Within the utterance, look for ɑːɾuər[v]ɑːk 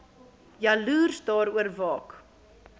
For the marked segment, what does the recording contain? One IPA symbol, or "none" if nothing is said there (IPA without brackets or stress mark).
v